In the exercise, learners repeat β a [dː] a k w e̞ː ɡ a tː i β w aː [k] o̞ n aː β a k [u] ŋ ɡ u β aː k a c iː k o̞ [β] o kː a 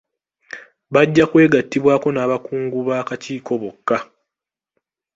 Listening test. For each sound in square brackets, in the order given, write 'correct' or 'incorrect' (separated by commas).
incorrect, correct, incorrect, correct